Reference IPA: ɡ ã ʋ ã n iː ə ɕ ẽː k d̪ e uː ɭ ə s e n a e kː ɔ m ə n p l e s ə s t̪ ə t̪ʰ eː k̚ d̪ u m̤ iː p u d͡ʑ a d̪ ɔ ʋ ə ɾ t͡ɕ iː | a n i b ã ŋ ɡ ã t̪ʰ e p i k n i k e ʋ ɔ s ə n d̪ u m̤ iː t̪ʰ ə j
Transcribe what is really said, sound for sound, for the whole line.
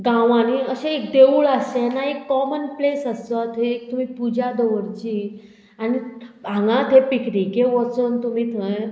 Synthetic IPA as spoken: ɡ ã ʋ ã n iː ə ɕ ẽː k d̪ e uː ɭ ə s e n a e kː ɔ m ə n p l e s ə s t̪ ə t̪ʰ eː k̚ t̪ u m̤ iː p u d͡ʑ a d̪ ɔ ʋ ə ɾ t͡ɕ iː | a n i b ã ŋ ɡ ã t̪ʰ e p i k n i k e ʋ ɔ t͡s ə n t̪ u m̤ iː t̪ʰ ə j